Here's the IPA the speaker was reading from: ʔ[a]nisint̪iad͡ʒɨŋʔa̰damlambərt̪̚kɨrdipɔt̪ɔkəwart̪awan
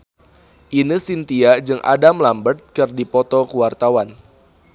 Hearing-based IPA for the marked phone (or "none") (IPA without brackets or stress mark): i